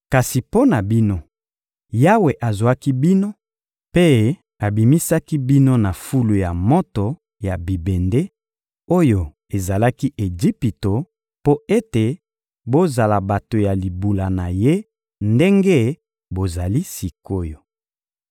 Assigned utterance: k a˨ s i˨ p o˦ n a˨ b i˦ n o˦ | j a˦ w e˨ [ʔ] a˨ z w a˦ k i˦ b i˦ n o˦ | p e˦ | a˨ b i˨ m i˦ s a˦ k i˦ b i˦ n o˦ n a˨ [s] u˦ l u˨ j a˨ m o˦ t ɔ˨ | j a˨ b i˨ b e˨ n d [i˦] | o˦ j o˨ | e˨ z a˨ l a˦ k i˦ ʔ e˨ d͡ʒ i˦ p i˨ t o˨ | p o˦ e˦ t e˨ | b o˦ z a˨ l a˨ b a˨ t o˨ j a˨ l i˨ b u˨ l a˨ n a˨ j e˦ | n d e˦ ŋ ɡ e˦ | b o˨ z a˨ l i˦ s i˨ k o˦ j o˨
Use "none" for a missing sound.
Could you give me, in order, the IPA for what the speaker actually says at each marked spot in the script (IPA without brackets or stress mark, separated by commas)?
ʔ, f, e˦